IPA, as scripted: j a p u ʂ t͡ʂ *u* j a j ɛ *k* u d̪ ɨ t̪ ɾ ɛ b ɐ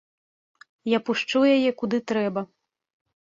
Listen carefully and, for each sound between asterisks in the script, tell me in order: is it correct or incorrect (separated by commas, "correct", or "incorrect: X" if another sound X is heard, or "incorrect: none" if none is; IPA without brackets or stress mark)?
correct, correct